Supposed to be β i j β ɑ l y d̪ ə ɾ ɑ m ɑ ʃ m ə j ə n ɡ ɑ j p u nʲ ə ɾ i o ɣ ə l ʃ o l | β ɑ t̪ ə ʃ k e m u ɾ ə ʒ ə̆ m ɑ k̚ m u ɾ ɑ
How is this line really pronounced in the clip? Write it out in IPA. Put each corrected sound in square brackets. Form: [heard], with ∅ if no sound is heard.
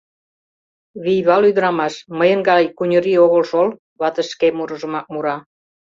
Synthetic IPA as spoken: β i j β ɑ l y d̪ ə ɾ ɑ m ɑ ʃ m ə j ə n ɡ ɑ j [k] u nʲ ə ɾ i o ɣ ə l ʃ o l | β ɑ t̪ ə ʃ k e m u ɾ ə ʒ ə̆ m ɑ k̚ m u ɾ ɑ